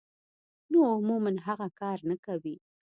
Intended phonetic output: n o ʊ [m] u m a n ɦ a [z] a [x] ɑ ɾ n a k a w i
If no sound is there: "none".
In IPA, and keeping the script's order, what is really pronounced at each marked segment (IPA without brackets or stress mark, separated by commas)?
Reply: m, ɣ, k